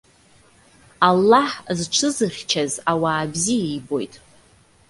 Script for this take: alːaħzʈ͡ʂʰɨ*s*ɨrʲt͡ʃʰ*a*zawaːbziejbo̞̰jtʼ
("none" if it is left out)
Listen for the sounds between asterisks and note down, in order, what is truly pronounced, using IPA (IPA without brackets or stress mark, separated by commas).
z, a